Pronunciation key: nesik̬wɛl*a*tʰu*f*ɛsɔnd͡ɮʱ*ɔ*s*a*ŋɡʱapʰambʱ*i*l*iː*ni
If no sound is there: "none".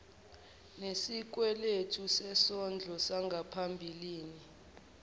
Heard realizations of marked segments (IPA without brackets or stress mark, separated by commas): e, s, ɔ, a, i, iː